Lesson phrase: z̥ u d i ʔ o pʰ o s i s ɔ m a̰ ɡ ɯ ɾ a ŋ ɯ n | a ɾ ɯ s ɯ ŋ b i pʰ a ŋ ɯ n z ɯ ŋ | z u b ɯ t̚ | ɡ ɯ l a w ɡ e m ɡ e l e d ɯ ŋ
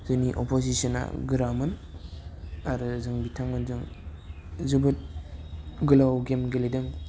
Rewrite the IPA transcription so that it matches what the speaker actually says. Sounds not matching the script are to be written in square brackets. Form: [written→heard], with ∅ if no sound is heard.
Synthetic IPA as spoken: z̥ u [d→n] i ʔ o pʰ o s i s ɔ [m→n] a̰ ɡ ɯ ɾ a [ŋ→m] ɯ n | a ɾ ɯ [s→z] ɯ ŋ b i [pʰ→tʰ] a ŋ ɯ n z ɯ ŋ | z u b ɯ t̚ | ɡ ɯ l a w ɡ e m ɡ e l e d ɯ ŋ